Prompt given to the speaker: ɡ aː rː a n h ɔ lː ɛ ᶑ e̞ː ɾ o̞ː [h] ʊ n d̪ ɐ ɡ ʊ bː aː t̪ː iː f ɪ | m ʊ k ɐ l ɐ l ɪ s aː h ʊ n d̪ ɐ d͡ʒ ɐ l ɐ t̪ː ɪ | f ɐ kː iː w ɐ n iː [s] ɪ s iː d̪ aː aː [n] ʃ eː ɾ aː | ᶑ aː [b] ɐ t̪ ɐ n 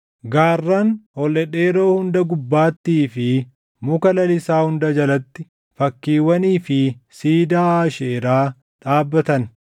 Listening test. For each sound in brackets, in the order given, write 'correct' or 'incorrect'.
correct, incorrect: f, incorrect: none, incorrect: bː

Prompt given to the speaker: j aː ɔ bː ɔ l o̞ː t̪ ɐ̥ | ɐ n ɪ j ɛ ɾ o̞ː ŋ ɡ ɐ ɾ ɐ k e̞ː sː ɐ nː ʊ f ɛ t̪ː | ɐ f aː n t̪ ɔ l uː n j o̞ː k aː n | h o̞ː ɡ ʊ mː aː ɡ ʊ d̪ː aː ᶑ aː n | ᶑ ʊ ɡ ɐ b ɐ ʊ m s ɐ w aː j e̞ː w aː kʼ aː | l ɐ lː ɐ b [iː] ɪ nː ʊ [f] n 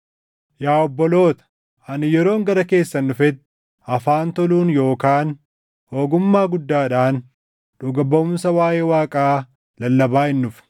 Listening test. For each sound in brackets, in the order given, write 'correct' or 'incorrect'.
incorrect: aː, correct

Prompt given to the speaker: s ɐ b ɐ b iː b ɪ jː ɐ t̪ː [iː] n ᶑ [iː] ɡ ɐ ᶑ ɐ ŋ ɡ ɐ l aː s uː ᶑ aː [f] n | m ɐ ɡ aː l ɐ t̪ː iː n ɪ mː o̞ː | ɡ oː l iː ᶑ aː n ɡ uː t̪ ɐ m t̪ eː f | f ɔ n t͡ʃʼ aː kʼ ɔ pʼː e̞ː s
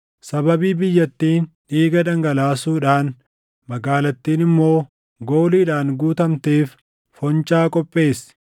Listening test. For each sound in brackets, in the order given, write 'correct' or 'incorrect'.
correct, correct, incorrect: none

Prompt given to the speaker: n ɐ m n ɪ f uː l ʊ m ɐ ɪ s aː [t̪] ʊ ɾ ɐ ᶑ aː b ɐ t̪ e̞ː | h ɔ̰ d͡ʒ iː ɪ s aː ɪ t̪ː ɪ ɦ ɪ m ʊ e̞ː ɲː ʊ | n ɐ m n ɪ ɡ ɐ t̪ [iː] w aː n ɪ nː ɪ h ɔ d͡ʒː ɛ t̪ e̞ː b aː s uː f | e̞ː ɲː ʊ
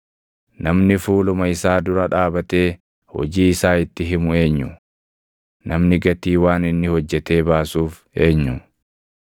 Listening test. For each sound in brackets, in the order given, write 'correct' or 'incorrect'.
incorrect: d̪, correct

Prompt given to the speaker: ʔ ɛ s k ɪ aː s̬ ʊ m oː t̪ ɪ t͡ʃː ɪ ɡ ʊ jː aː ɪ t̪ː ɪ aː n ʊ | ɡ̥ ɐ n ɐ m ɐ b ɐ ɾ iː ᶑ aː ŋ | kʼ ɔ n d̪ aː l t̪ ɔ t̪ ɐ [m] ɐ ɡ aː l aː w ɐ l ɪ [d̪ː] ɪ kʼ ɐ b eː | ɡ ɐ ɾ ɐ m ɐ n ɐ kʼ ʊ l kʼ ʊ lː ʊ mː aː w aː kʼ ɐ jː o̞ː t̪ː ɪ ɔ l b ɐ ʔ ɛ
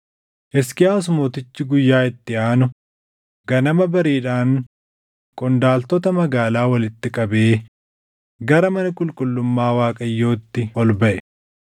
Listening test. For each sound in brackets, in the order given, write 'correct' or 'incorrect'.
correct, incorrect: t̪ː

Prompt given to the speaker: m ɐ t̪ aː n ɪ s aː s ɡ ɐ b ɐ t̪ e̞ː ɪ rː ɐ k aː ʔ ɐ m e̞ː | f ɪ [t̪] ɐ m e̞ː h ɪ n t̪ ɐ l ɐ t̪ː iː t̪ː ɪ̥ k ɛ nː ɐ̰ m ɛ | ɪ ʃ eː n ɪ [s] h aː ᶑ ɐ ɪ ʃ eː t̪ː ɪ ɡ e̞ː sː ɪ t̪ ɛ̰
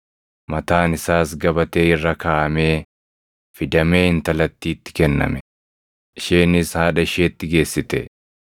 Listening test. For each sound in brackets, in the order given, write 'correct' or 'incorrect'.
incorrect: d̪, correct

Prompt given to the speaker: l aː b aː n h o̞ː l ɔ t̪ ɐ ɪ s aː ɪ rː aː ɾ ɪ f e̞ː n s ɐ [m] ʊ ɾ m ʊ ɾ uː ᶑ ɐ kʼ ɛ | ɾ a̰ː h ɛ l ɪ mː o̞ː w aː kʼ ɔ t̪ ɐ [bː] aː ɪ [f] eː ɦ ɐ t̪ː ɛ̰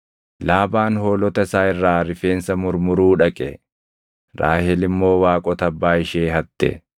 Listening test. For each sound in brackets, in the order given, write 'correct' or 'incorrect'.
correct, correct, incorrect: ʃ

